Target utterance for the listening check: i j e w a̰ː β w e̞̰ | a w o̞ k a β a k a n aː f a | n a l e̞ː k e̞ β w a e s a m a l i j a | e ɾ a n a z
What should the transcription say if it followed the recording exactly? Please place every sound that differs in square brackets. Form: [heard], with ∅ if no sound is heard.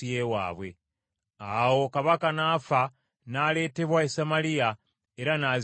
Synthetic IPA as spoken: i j e w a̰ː β w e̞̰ | a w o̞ k a β a k a n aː f a | n a l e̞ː [t] e̞ β w a e s a m a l i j a | e ɾ a n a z